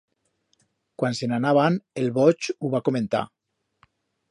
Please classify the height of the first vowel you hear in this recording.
low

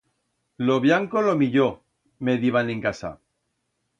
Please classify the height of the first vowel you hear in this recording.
mid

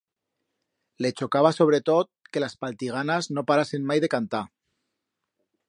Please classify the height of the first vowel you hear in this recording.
mid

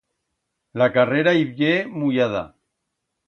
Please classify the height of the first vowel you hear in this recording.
low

